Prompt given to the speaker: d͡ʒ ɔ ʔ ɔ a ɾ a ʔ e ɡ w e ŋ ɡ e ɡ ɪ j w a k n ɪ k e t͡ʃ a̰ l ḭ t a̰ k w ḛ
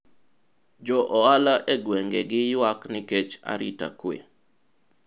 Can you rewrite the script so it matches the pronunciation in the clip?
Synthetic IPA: d͡ʒ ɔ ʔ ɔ a l a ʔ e ɡ w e ŋ ɡ e ɡ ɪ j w a k n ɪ k e t͡ʃ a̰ ɾ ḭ t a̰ k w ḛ